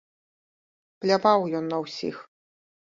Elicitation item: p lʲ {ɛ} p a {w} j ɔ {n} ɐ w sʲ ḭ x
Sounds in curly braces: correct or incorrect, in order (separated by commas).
incorrect, correct, incorrect